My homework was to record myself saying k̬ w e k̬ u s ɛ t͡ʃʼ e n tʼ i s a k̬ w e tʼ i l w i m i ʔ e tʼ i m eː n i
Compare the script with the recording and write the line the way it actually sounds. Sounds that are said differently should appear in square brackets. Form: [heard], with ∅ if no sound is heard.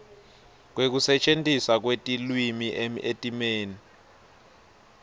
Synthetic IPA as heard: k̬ w e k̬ u s ɛ t͡ʃʼ e n tʼ i s a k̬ w e tʼ i l w i m i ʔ e tʼ i m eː n i